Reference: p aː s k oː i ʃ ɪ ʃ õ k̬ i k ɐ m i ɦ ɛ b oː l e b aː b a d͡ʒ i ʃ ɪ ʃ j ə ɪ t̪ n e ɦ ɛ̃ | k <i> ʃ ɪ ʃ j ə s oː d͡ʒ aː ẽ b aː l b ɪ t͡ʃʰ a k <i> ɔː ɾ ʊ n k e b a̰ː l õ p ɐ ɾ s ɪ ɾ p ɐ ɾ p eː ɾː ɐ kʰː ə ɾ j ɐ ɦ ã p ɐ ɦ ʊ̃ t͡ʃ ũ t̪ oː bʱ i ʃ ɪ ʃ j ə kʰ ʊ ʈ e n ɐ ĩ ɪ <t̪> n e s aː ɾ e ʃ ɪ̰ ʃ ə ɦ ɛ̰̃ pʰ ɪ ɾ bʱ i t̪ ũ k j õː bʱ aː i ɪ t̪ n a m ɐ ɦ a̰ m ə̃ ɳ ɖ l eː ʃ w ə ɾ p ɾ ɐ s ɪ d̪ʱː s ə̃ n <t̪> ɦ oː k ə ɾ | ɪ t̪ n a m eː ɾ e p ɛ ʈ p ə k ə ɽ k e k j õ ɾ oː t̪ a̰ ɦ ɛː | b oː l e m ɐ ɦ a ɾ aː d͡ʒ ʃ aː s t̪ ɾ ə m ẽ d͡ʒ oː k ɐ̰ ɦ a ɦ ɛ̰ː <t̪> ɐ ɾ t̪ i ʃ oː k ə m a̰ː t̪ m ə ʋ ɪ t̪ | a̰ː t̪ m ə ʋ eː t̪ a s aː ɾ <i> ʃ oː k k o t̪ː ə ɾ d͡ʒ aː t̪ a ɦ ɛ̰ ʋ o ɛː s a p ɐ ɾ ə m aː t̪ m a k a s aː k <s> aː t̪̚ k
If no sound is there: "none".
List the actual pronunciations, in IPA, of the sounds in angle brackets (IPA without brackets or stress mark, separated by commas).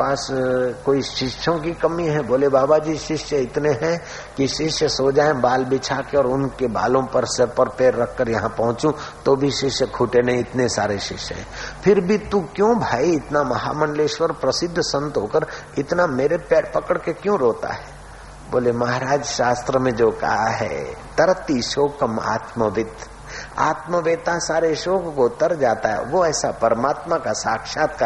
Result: i, e, t̪, t̪, t̪, e, ʃ